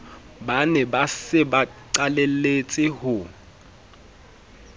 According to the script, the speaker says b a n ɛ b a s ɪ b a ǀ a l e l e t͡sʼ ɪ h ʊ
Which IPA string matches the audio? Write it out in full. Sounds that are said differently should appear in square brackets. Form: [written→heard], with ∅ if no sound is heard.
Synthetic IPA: b a n ɛ b a s ɪ b a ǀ a l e l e t͡sʼ ɪ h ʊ